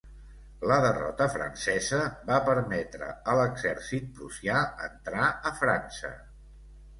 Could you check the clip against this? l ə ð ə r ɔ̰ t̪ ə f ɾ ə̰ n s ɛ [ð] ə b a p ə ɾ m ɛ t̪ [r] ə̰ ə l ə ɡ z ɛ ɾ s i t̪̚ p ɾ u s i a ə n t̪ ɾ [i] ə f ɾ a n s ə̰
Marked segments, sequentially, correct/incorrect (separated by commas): incorrect, incorrect, incorrect